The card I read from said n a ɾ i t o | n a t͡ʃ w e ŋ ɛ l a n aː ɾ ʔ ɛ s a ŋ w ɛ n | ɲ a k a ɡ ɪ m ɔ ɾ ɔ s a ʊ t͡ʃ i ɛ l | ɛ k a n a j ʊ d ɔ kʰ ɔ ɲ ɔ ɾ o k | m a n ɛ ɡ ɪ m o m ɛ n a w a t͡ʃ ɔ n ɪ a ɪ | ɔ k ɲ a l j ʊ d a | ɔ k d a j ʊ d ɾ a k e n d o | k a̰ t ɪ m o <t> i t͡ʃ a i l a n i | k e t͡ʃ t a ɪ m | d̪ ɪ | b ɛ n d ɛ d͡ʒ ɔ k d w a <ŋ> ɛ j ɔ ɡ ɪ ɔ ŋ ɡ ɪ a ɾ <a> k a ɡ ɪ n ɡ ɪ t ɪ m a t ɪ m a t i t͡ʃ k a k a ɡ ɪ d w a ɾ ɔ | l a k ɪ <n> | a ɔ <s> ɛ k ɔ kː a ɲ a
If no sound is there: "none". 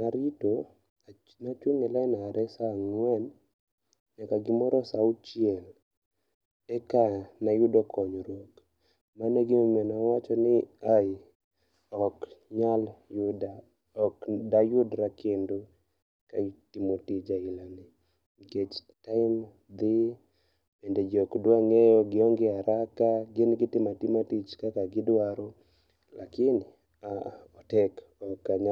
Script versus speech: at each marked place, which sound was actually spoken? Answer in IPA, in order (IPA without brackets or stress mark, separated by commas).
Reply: t, ŋ, a, n, t